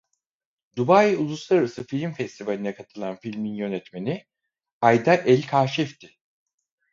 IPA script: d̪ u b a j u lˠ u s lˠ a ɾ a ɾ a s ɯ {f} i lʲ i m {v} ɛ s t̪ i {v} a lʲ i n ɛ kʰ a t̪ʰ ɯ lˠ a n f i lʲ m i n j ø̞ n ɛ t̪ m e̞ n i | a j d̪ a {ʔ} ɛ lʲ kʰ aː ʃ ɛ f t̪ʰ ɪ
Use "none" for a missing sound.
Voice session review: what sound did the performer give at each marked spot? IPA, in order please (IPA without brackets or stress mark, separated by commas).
f, f, v, ʔ